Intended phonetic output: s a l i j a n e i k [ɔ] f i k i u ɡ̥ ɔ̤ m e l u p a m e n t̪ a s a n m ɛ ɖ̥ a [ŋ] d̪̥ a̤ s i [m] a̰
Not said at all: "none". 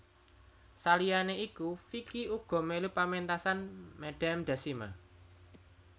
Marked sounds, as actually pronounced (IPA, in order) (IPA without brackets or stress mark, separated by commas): u, m, m